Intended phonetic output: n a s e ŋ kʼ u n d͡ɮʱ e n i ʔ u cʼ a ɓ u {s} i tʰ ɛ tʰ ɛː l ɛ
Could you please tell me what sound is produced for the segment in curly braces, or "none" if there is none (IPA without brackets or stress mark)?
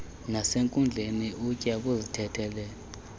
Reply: z